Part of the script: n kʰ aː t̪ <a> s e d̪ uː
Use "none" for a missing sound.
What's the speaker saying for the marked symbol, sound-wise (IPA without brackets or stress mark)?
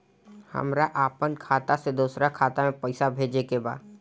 a